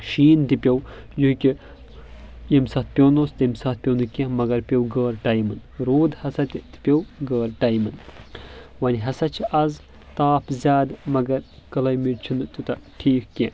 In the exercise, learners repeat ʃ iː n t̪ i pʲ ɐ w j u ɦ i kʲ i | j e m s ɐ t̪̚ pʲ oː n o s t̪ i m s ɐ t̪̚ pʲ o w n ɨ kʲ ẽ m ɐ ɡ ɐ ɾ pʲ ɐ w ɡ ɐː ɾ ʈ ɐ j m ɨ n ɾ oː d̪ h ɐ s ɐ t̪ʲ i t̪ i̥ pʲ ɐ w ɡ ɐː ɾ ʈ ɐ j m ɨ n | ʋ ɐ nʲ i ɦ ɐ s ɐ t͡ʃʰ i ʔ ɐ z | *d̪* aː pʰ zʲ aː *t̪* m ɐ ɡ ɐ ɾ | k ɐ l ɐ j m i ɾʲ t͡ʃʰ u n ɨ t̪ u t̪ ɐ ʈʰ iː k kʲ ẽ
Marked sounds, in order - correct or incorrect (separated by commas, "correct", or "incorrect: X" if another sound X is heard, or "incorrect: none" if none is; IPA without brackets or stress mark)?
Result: incorrect: t̪, incorrect: d̪